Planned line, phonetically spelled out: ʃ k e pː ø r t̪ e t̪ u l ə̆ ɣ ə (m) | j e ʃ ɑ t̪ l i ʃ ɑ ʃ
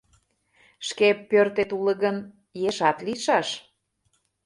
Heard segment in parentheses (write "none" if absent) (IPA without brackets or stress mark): n